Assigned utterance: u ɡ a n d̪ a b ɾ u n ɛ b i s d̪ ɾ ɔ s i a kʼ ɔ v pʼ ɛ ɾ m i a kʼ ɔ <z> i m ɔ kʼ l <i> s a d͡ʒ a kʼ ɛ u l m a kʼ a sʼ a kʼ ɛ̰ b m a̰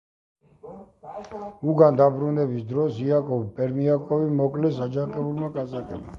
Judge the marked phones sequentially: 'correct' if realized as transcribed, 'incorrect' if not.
incorrect: v, incorrect: ɛ

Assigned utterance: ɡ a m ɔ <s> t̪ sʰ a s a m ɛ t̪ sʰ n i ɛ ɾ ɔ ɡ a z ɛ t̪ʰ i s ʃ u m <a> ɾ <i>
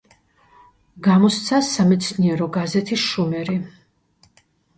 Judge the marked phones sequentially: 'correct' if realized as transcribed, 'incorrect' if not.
correct, incorrect: ɛ, correct

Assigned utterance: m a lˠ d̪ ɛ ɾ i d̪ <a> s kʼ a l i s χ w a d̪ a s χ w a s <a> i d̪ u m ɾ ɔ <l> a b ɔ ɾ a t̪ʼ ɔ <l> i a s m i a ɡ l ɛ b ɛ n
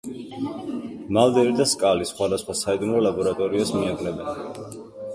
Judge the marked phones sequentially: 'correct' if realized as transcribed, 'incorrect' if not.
correct, correct, correct, incorrect: ɾ

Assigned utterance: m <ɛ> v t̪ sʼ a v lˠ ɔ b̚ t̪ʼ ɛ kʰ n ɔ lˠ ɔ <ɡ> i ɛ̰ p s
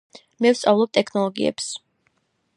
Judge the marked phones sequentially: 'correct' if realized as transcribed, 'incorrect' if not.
correct, correct

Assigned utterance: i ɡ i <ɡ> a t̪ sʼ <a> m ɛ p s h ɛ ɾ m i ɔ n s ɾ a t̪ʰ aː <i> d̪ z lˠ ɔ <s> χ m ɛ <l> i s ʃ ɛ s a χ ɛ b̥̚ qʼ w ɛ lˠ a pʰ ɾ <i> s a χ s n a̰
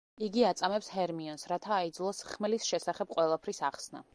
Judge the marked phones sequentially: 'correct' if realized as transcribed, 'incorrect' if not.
incorrect: none, correct, correct, correct, correct, correct

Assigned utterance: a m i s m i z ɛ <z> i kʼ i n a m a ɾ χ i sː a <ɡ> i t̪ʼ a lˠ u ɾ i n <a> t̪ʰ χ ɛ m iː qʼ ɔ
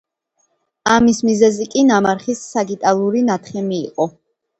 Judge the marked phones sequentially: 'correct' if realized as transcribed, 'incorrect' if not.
correct, correct, correct

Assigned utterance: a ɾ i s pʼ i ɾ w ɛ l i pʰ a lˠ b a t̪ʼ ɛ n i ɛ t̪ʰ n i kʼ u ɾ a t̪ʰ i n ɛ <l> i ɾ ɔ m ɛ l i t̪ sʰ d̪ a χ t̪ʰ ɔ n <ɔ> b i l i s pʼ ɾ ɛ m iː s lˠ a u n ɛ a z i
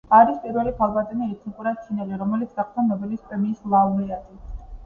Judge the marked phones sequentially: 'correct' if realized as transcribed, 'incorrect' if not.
correct, correct

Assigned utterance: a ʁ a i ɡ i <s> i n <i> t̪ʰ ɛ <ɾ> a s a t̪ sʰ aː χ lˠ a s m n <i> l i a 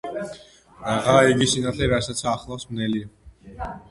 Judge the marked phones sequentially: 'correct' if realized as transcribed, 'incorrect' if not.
correct, incorrect: a, correct, incorrect: ɛ

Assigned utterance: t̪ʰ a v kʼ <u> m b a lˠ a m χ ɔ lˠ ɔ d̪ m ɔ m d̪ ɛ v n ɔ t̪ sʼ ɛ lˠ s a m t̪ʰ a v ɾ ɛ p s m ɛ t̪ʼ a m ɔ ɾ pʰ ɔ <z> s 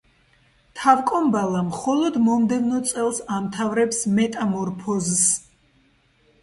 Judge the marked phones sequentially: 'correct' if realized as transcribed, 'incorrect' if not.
incorrect: ɔ, correct

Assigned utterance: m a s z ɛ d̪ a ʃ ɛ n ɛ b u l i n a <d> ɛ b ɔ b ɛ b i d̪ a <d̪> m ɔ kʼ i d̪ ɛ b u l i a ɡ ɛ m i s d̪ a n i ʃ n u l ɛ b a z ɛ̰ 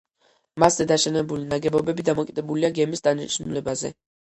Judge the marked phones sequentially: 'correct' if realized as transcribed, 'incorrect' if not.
incorrect: ɡ, incorrect: none

